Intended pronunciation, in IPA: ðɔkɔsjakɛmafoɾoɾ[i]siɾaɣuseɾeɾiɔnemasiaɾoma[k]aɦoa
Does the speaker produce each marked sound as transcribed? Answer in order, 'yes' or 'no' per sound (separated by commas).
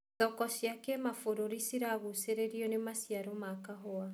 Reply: yes, yes